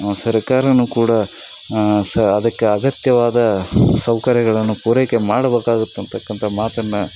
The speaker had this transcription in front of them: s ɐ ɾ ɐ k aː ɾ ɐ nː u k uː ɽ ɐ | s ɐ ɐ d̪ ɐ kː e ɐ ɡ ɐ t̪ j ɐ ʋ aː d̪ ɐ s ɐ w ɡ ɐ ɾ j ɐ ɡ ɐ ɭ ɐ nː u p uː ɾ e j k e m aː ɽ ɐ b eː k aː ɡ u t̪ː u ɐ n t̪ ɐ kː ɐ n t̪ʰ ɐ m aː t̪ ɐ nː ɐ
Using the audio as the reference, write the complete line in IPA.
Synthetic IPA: s ɐ ɾ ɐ k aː ɾ ɐ n u k uː ɽ ɐ | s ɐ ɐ d̪ ɐ kː e ɐ ɡ ɐ t̪ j ɐ ʋ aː d̪ ɐ s ɐ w k ɐ ɾ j ɐ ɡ ɐ ɭ ɐ nː u p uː ɾ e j k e m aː ɽ ɐ b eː k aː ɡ u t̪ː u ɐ n t̪ ɐ kː ɐ n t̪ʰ ɐ m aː t̪ ɐ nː ɐ